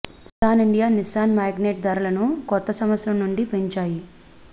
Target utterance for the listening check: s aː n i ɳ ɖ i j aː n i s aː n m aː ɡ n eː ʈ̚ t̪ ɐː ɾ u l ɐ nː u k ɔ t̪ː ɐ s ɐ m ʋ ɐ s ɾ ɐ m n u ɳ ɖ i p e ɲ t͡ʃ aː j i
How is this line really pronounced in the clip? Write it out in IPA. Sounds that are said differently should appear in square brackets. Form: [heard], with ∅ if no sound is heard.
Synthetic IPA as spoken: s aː n i ɳ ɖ i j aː n i s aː n m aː ɡ n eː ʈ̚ [d̪] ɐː ɾ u l ɐ [n] u k ɔ t̪ː ɐ s ɐ m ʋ ɐ s ɾ ɐ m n u ɳ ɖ i p e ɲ t͡ʃ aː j i